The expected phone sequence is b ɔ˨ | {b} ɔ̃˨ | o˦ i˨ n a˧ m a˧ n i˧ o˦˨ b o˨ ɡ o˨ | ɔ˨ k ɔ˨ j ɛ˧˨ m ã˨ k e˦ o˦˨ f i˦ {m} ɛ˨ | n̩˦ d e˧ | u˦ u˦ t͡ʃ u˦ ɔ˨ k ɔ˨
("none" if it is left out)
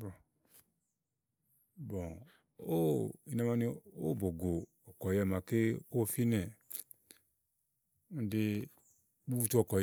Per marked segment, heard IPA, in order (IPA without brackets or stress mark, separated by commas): b, n